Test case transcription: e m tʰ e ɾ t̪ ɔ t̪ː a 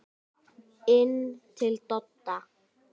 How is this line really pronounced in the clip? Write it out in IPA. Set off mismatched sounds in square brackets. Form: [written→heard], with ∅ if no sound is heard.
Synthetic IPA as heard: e [m→n] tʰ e [ɾ→l] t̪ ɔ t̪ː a